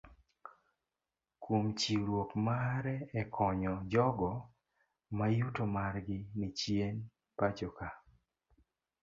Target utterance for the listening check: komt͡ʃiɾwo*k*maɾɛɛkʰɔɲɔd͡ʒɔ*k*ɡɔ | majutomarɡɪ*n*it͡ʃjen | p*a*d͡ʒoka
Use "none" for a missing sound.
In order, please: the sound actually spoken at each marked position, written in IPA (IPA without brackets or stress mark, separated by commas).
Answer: k, none, n, a